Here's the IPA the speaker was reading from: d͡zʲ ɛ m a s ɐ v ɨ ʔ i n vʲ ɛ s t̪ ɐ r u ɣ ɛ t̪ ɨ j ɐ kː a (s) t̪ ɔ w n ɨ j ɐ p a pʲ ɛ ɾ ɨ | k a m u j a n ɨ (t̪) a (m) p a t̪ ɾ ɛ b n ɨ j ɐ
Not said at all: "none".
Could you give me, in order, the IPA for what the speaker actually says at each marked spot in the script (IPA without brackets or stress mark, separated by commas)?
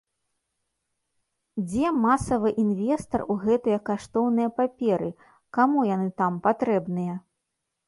ʂ, t̪, m